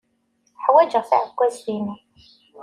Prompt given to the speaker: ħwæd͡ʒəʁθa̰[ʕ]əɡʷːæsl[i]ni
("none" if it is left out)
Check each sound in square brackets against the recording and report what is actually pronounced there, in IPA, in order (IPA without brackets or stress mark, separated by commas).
ʕ, i